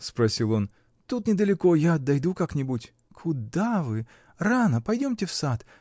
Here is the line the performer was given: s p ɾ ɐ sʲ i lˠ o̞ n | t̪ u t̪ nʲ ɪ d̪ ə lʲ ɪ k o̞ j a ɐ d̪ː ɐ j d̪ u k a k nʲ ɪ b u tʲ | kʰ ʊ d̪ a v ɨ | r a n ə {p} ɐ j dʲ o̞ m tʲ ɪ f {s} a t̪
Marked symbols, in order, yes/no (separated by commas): yes, yes